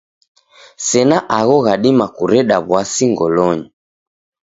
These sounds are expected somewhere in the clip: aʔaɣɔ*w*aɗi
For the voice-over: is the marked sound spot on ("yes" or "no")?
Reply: no